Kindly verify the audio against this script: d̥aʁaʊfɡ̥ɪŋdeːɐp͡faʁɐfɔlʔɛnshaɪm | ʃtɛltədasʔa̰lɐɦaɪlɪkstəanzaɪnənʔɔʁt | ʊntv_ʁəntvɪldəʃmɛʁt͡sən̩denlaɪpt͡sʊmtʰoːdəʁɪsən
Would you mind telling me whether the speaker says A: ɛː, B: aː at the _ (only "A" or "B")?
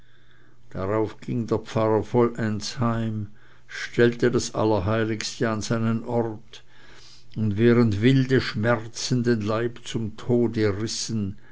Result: A